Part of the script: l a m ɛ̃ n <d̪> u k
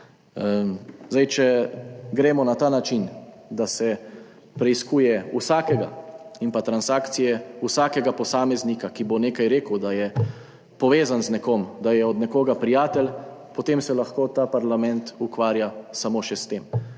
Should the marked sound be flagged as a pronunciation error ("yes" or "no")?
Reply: yes